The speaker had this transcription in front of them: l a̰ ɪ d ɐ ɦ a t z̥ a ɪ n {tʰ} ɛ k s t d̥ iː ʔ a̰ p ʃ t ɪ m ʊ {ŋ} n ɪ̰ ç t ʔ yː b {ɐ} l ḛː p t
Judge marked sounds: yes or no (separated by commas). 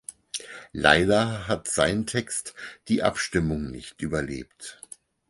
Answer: yes, yes, yes